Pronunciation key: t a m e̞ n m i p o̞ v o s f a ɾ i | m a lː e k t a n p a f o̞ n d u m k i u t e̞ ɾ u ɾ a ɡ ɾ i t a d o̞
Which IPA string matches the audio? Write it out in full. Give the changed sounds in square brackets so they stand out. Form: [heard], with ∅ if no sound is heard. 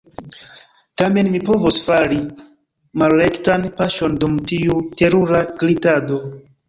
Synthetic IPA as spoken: t a m e̞ n m i p o̞ v o s f a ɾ i | m a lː e k t a n p a [ʃ] o̞ n d u m [t] i u t e̞ ɾ u ɾ a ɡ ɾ i t a d o̞